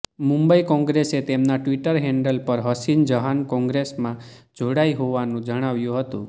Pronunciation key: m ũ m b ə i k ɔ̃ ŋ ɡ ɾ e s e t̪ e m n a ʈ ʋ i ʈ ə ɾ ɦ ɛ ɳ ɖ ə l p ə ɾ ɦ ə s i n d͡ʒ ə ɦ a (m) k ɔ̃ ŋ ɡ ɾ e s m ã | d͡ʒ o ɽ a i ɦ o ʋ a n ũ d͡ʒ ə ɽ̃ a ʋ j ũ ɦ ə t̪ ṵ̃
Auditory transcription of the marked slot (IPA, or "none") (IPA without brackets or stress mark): n